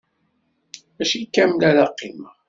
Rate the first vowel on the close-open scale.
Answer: open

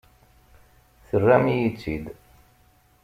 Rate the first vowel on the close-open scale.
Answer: mid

